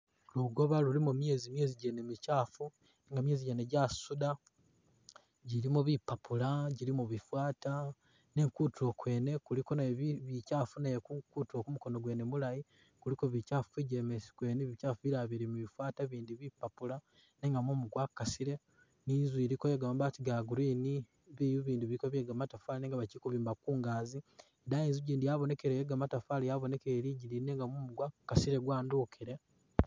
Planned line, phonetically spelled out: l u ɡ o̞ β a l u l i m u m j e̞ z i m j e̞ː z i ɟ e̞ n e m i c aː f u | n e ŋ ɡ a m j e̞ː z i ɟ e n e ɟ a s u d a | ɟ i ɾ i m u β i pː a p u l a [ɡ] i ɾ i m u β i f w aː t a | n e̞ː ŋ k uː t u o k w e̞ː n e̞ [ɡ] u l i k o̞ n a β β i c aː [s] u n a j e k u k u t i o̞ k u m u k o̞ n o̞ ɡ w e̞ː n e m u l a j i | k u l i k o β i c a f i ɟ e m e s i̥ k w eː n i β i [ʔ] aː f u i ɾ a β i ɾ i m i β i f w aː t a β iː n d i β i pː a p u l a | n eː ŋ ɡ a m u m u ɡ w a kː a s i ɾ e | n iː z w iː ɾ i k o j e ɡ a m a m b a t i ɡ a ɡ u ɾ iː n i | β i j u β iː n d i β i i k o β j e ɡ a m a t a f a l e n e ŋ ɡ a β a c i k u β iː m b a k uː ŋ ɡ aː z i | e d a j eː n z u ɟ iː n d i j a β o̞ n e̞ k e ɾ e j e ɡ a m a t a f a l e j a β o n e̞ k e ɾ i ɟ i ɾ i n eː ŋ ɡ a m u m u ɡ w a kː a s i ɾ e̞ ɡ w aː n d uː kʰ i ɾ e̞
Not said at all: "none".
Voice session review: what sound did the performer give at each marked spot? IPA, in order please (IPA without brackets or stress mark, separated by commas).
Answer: ɟ, k, f, c